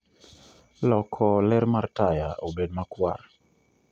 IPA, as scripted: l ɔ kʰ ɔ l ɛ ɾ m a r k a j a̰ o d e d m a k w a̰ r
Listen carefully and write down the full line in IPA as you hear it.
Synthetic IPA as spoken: l ɔ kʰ ɔ l ɛ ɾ m a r t a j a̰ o b e d m a k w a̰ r

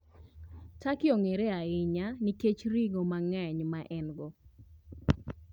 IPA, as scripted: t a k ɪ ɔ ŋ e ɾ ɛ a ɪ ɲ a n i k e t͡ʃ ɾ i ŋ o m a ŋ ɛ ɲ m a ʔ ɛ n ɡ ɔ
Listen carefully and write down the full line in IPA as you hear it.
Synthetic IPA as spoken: t a k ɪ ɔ ŋ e ɾ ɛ a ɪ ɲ a n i k e t͡ʃ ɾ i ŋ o m a ŋ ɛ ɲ m a ʔ ɛ n ɡ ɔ

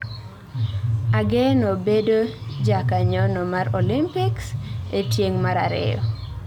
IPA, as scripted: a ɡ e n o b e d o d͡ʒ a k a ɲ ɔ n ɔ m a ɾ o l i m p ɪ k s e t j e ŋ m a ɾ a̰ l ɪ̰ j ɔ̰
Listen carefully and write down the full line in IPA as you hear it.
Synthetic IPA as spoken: a ɡ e n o b e d o d͡ʒ a k a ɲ ɔ n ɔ m a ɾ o l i m p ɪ k s e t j e ŋ m a ɾ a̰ ɾ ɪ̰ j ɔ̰

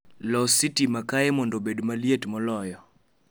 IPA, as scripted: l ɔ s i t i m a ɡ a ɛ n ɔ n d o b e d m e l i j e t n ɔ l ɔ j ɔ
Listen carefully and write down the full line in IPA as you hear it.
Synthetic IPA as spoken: l ɔ s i t i m a k a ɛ m ɔ n d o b e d m a l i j e t m ɔ l ɔ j ɔ

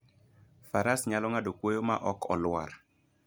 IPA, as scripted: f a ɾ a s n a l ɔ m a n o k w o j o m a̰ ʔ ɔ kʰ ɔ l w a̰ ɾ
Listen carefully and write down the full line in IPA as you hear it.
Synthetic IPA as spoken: f a ɾ a s ɲ a l ɔ ŋ a d o k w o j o m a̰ ʔ ɔ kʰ ɔ l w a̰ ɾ

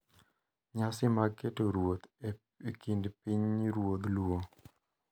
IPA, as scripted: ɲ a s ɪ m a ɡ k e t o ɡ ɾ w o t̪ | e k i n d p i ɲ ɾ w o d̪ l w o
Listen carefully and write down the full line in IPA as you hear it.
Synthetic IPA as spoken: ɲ a s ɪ m a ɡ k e t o ɾ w o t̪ | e k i n d p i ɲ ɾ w o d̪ l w o

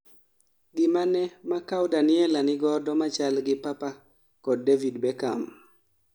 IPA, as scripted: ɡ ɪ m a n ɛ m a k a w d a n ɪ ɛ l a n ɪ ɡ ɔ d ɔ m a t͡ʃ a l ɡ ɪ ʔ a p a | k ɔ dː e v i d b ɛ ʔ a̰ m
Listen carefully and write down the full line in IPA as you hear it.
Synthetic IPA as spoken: ɡ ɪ m a n ɛ m a k a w d a n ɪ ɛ l a n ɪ ɡ ɔ d ɔ m a t͡ʃ a l ɡ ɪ p a p a | k ɔ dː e v i d b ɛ k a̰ m

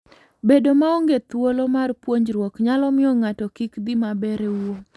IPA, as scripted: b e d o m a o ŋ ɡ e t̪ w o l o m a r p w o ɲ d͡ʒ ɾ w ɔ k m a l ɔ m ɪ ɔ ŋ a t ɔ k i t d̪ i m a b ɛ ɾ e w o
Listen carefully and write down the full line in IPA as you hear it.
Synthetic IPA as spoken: b e d o m a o ŋ ɡ e t̪ w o l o m a r p w o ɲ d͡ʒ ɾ w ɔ k ɲ a l ɔ m ɪ ɔ ŋ a t ɔ k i k d̪ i m a b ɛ ɾ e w o

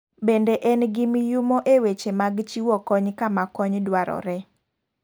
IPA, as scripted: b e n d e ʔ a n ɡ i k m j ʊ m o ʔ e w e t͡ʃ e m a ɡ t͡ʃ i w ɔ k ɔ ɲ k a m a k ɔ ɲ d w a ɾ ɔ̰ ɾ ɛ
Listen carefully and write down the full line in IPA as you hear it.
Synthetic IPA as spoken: b e n d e ʔ ɛ n ɡ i m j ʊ m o ʔ e w e t͡ʃ e m a ɡ t͡ʃ i w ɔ k ɔ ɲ k a m a k ɔ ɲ d w a ɾ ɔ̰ ɾ ɛ

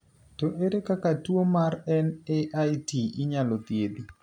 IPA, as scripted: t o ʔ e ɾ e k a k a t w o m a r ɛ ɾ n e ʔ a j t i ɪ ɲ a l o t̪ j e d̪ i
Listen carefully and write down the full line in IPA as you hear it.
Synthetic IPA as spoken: t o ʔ e ɾ e k a k a t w o m a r ɛ n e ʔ a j t i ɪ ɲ a l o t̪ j e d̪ i

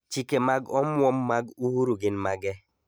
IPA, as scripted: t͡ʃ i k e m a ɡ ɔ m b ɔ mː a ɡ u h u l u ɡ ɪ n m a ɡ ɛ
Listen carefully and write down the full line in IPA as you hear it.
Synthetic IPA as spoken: t͡ʃ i k e m a ɡ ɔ m w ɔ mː a ɡ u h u ɾ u ɡ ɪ n m a ɡ ɛ

